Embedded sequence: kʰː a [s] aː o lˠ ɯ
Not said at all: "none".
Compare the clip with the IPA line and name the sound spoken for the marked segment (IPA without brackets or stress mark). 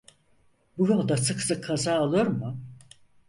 z